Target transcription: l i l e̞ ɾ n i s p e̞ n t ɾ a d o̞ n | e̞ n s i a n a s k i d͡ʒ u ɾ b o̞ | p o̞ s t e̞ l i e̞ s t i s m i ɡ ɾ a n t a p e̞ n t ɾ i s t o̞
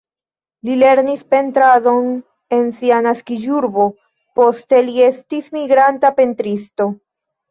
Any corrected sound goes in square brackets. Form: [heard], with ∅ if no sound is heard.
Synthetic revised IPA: l i l e̞ ɾ n i s p e̞ n t ɾ a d o̞ n | e̞ n s i a n a s k i d͡ʒ u ɾ b o̞ | p o̞ s t e̞ l i e̞ s t i s m i ɡ ɾ a n t a p e̞ n t ɾ i s t o̞

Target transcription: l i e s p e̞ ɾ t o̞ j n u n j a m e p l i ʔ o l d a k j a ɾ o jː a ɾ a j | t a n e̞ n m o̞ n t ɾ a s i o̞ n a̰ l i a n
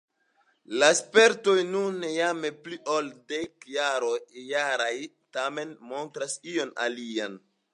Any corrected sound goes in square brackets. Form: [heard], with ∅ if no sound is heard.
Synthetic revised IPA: l [a] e s p e̞ ɾ t o̞ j n u n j a m e p l i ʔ o l d [e] k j a ɾ o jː a ɾ a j | t a [m] e̞ n m o̞ n t ɾ a s i o̞ n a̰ l i a n

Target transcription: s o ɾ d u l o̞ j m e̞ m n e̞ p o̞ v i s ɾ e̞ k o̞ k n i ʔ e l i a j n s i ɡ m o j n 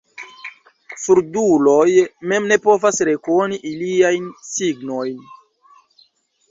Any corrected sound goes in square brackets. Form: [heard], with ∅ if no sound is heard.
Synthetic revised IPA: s [u] ɾ d u l o̞ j m e̞ m n e̞ p o̞ v [a] s ɾ e̞ k o̞ [∅] n i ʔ [i] l i a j n s i ɡ [n] o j n

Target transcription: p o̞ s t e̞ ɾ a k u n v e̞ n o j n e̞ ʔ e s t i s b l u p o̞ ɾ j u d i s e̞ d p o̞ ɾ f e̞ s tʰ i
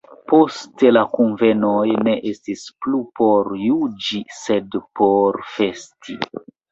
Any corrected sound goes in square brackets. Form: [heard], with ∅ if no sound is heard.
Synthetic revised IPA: p o̞ s t e̞ [l] a k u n v e̞ n o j n e̞ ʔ e s t i s [p] l u p o̞ ɾ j u [d͡ʒ] i s e̞ d p o̞ ɾ f e̞ s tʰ i

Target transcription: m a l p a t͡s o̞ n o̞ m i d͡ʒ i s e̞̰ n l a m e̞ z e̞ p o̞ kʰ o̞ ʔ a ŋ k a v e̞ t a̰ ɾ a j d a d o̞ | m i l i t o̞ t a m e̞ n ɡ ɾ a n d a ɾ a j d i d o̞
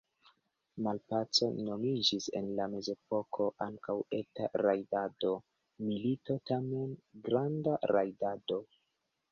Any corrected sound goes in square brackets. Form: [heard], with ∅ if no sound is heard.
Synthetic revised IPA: m a l p a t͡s o̞ n o̞ m i d͡ʒ i s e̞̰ n l a m e̞ z e̞ p o̞ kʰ o̞ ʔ a ŋ k a [w] e̞ t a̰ ɾ a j d a d o̞ | m i l i t o̞ t a m e̞ n ɡ ɾ a n d a ɾ a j d [a] d o̞

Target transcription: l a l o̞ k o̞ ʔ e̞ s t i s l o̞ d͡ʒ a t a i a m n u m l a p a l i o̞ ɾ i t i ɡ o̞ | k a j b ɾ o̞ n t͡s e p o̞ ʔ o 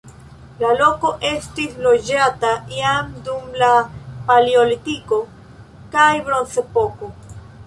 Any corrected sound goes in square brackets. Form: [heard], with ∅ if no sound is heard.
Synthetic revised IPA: l a l o̞ k o̞ ʔ e̞ s t i s l o̞ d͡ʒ a t a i a m [d] u m l a p a l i o̞ [l] i t i [k] o̞ | k a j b ɾ o̞ n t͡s e p o̞ [k] o

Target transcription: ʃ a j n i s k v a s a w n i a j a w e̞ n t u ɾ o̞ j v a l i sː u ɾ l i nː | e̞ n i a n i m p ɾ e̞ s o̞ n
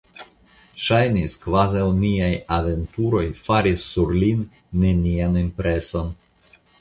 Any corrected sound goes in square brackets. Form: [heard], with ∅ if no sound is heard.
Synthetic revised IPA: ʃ a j n i s k v a [z] a w n i a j a [v] e̞ n t u ɾ o̞ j [f] a [ɾ] i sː u ɾ l i nː | e̞ n i a n i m p ɾ e̞ s o̞ n

